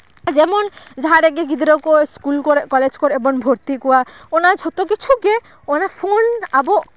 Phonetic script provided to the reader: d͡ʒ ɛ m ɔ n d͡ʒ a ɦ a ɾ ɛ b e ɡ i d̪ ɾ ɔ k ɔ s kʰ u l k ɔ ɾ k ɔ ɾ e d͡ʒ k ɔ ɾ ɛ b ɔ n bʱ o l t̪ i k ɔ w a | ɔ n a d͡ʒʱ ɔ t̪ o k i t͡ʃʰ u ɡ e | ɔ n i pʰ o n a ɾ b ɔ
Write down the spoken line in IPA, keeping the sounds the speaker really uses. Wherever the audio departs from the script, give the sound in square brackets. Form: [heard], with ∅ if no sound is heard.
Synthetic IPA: d͡ʒ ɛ m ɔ n d͡ʒ a ɦ a ɾ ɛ [ɡ] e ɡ i d̪ ɾ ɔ k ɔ s [k] u l k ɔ ɾ k ɔ [l] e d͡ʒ k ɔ ɾ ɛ b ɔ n bʱ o [ɾ] t̪ i k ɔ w a | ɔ n a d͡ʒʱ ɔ t̪ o k i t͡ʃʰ u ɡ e | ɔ n [a] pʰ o n a [∅] b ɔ